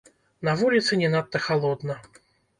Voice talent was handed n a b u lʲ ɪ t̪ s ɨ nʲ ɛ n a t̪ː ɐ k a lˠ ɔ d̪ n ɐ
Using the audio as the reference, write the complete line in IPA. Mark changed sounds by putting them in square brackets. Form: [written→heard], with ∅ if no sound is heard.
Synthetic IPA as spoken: n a [b→v] u lʲ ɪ t̪ s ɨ nʲ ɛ n a t̪ː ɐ [k→x] a lˠ ɔ d̪ n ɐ